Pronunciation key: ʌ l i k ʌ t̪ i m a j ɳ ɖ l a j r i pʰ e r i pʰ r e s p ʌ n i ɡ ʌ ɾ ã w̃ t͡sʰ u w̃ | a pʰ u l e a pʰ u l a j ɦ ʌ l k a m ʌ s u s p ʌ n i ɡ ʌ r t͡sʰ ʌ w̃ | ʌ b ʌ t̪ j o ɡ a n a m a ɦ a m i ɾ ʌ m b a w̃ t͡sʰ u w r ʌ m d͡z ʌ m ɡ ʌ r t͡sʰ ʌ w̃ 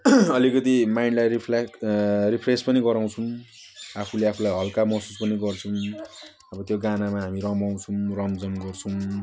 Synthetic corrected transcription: ʌ l i k ʌ t̪ i m a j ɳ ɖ l a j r i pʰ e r i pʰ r e s p ʌ n i ɡ ʌ ɾ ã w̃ t͡sʰ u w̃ | a pʰ u l e a pʰ u l a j ɦ ʌ l k a m ʌ s u s p ʌ n i ɡ ʌ r t͡sʰ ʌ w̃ | ʌ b ʌ t̪ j o ɡ a n a m a ɦ a m i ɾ ʌ m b a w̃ t͡sʰ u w r ʌ m d͡z ʌ m ɡ ʌ r t͡sʰ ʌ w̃